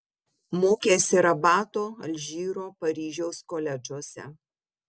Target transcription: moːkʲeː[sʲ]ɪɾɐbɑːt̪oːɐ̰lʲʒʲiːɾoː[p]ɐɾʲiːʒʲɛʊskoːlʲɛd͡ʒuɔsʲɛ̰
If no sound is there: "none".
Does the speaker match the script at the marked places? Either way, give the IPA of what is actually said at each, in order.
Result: sʲ, p

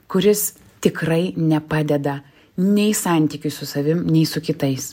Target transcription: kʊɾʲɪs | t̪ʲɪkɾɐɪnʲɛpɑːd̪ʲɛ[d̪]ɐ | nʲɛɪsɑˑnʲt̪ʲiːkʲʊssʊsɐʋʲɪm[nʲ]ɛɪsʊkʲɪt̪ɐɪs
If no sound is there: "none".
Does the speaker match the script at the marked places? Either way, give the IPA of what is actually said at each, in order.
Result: d̪, nʲ

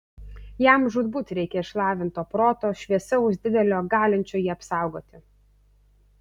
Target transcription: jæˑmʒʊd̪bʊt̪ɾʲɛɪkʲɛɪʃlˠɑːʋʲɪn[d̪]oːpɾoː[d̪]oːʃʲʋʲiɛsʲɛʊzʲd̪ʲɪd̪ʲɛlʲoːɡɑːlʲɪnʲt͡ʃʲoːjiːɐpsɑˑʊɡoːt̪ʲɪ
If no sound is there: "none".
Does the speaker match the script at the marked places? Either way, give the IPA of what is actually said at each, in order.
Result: t̪, t̪

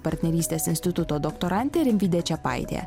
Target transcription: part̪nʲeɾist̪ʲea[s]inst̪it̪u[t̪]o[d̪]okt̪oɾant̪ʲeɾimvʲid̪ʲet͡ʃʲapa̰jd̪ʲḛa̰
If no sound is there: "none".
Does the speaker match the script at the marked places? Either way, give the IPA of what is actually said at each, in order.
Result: s, t̪, d̪

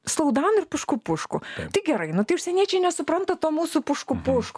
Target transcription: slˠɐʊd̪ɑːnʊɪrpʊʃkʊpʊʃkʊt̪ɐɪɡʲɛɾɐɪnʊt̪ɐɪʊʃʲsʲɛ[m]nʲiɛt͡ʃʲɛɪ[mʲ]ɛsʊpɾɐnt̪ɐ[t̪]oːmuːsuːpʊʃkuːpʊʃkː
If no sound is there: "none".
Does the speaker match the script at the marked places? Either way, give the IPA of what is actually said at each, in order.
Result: none, nʲ, t̪

